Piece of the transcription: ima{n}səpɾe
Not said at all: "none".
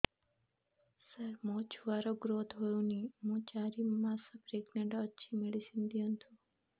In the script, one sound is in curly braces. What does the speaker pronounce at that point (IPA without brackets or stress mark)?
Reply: none